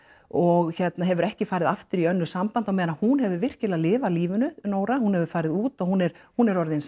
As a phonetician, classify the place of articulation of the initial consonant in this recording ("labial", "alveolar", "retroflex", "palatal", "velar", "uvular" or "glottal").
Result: velar